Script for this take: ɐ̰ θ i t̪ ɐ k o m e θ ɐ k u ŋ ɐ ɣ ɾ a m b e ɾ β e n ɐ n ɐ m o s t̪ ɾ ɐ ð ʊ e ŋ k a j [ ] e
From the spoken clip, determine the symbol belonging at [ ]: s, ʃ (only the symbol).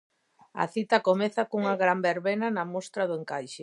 ʃ